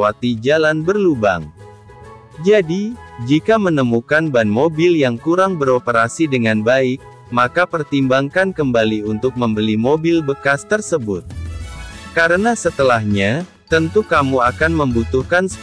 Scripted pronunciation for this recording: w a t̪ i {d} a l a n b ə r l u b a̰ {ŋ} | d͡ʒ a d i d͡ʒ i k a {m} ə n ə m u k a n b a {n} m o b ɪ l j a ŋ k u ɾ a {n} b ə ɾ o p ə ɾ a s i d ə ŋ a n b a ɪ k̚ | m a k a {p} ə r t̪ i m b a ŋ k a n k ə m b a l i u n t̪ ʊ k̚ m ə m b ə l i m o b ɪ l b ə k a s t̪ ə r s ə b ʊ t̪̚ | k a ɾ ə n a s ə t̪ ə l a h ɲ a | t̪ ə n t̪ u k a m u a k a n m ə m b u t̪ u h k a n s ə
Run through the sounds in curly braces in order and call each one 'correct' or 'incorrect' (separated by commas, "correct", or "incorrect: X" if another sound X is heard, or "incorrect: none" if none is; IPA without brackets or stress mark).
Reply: incorrect: d͡ʒ, correct, correct, correct, incorrect: ŋ, correct